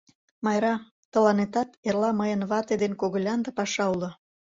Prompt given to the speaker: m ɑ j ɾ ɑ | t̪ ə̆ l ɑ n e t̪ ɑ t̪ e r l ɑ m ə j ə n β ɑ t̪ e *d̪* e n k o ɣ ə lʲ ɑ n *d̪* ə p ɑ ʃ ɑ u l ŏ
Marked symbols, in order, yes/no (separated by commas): yes, yes